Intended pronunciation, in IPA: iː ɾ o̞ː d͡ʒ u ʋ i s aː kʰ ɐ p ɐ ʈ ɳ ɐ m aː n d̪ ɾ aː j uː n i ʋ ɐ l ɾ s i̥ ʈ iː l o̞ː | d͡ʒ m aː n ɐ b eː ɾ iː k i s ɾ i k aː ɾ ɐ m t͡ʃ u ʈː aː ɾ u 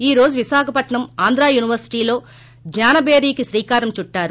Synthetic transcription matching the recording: iː ɾ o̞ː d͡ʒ u ʋ i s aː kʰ ɐ p ɐ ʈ ɳ ɐ m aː n d̪ ɾ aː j uː n i ʋ ɐ ɾ s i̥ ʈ iː l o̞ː | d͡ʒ ɲ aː n ɐ b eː ɾ iː k i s ɾ iː k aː ɾ ɐ m t͡ʃ u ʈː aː ɾ u